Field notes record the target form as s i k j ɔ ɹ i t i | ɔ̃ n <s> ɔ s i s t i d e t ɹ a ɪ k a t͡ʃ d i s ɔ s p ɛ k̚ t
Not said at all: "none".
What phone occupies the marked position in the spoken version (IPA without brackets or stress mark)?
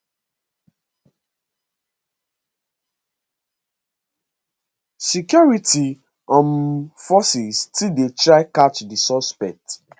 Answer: f